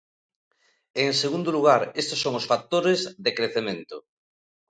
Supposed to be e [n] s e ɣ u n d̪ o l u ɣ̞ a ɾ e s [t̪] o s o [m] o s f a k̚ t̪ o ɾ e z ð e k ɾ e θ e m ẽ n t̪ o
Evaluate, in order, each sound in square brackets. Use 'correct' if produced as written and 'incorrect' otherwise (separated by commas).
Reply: incorrect, correct, incorrect